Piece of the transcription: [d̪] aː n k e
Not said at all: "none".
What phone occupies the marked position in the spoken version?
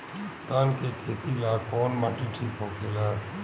t̪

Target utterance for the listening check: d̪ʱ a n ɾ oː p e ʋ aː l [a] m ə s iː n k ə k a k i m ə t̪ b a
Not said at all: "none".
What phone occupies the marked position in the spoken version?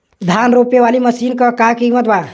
i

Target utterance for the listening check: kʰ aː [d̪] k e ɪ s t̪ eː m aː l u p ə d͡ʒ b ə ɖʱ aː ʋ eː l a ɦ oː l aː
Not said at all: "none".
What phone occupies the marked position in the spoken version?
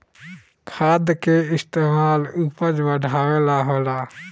d̪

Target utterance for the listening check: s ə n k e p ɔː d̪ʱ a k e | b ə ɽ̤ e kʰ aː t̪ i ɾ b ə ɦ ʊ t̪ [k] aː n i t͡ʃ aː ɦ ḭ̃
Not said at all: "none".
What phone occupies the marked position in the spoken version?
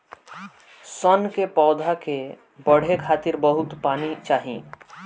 p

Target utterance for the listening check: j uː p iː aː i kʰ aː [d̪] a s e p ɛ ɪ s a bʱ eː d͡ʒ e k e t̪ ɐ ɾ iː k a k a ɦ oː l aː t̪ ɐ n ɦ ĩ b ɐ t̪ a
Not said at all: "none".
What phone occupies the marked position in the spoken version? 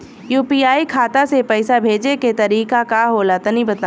t̪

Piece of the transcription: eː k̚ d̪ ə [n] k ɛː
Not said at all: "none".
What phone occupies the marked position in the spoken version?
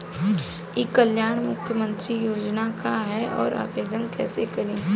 m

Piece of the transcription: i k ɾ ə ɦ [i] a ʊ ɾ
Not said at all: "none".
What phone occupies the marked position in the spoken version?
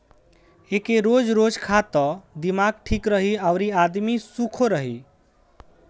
i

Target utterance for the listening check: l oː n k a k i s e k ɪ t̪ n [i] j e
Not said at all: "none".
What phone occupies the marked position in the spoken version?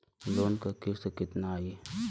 a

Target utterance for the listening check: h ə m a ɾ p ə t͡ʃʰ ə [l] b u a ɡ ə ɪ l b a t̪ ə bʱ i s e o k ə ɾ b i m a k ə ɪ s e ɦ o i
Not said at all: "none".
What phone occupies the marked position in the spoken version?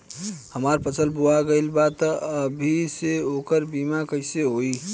l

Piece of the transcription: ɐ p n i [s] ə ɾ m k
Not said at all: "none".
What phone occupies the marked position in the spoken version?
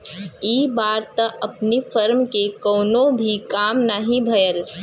f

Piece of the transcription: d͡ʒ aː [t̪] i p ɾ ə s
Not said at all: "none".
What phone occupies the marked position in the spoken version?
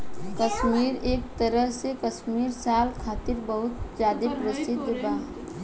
d̪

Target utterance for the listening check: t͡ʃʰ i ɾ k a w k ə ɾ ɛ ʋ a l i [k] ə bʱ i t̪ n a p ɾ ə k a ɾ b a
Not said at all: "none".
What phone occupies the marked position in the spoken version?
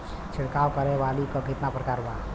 k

